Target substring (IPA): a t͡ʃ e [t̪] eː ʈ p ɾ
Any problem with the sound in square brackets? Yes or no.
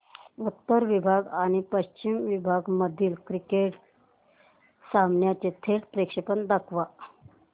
yes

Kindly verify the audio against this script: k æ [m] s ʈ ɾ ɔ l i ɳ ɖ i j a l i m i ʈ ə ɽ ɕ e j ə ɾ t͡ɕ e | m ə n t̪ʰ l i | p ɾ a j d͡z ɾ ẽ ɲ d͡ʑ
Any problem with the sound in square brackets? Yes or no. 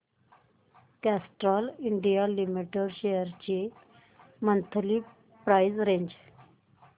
yes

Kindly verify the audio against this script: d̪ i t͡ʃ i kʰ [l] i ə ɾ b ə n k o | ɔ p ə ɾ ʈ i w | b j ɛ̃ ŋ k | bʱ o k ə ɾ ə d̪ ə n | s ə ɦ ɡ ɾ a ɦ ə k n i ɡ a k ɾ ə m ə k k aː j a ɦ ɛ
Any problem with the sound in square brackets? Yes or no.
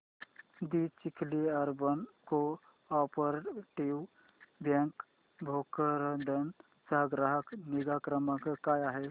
no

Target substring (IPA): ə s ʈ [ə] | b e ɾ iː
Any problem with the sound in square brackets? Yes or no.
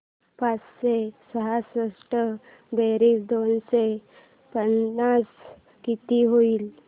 no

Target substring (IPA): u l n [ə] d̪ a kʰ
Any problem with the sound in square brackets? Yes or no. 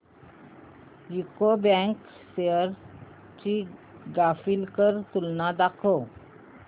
yes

